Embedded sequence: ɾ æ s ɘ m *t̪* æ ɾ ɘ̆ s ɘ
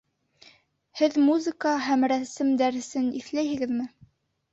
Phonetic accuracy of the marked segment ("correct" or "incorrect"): incorrect